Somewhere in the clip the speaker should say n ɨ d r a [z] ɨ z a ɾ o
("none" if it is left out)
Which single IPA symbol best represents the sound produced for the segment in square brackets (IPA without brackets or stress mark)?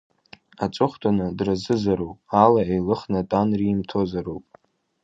z